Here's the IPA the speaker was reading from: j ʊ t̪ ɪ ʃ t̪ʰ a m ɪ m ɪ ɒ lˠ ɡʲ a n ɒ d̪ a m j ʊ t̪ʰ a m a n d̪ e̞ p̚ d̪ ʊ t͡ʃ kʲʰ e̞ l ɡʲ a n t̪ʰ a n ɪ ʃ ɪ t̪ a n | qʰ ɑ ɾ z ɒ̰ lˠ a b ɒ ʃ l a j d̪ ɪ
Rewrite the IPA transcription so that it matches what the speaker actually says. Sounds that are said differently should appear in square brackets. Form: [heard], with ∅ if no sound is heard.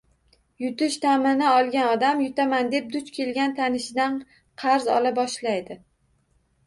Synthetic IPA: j ʊ t̪ ɪ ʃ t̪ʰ a m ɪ [n] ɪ ɒ lˠ ɡʲ a n ɒ d̪ a m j ʊ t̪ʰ a m a n d̪ e̞ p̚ d̪ ʊ t͡ʃ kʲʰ e̞ l ɡʲ a n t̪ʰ a n ɪ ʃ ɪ [d̪] a n | qʰ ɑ ɾ z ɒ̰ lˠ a b ɒ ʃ l a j d̪ ɪ